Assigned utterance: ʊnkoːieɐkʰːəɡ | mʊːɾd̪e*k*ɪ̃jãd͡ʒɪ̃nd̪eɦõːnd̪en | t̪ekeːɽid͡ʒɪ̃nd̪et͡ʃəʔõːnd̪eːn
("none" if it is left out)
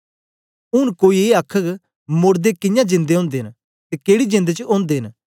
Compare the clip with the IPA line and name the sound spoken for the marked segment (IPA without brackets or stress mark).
k